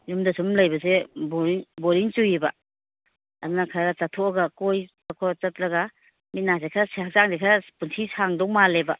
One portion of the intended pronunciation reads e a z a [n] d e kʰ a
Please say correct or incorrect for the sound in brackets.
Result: incorrect